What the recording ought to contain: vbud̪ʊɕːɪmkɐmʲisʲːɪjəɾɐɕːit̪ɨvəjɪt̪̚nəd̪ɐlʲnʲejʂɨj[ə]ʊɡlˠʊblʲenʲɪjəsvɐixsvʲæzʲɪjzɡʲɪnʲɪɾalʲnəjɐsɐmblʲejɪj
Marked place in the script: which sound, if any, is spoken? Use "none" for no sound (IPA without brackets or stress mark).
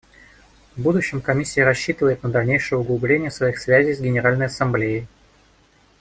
ə